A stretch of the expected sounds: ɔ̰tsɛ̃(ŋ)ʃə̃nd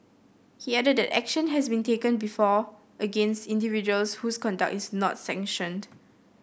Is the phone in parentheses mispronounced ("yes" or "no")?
no